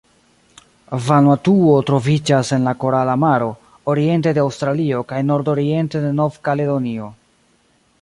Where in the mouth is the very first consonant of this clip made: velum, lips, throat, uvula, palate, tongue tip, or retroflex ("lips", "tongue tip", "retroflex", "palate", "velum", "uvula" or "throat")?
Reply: lips